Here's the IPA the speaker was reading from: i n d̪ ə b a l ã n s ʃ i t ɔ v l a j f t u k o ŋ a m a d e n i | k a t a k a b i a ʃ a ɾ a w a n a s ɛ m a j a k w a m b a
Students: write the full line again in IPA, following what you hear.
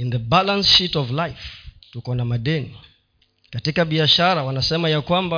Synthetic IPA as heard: i n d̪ ə b a l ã n s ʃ i t ɔ v l a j f t u k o n a m a d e n i | k a t i k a b i a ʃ a ɾ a w a n a s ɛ m a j a k w a m b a